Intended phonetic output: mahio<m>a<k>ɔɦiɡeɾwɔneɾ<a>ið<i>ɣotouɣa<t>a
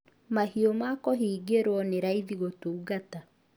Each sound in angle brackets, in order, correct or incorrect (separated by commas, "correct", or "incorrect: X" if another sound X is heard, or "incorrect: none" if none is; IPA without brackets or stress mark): correct, correct, correct, correct, correct